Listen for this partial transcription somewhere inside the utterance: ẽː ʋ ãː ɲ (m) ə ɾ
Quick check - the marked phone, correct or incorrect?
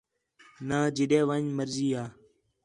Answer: correct